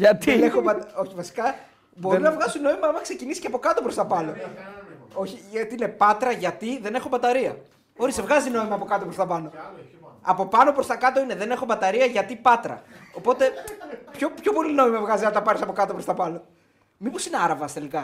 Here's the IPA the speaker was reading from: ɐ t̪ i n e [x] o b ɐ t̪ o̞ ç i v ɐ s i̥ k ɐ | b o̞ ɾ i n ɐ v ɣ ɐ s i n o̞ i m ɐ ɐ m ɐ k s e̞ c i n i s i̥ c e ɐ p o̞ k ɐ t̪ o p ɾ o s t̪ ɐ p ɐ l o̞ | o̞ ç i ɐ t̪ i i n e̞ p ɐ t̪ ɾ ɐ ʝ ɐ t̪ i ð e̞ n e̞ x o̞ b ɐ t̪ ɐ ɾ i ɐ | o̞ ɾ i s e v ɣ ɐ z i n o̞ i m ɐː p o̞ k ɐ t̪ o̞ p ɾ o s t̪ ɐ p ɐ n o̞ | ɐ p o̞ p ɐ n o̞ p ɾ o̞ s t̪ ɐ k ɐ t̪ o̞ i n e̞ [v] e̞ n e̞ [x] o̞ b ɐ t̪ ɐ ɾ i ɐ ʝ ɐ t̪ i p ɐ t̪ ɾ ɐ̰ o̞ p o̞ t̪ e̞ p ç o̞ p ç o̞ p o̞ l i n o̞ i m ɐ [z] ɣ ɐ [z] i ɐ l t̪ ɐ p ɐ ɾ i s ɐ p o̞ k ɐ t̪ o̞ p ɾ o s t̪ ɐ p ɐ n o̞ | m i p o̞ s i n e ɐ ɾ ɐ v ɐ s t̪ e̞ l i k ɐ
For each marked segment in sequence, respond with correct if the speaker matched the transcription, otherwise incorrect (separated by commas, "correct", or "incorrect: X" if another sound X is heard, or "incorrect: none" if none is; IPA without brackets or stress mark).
correct, incorrect: ð, correct, incorrect: v, correct